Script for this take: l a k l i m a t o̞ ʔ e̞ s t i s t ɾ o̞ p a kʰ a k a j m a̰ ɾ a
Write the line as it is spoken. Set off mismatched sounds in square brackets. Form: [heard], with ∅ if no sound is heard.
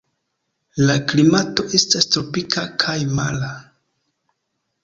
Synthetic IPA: l a k l i m a t o̞ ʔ e̞ s t [a] s t ɾ o̞ p [i] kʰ a [kʰ] a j m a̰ [l] a